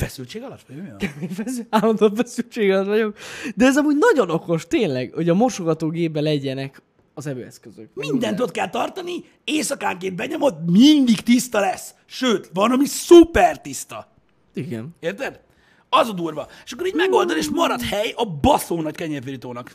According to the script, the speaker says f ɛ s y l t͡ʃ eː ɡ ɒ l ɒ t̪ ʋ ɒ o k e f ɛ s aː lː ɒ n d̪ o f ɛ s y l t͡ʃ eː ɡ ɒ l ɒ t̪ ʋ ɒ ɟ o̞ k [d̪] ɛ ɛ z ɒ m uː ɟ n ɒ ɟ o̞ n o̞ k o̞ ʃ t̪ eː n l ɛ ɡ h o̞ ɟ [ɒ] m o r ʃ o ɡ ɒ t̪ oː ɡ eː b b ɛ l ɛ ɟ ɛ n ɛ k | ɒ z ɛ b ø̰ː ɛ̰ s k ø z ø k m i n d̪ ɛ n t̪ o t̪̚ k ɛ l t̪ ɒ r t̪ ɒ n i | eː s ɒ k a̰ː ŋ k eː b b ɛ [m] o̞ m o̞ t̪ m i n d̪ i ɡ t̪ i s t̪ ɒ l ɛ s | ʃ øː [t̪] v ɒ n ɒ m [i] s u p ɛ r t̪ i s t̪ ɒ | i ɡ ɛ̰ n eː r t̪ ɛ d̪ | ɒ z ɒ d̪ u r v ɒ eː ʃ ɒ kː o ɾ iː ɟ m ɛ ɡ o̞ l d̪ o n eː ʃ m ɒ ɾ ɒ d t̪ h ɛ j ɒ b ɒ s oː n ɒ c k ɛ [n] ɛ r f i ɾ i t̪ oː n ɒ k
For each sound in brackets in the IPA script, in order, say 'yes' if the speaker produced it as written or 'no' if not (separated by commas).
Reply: yes, yes, no, yes, yes, no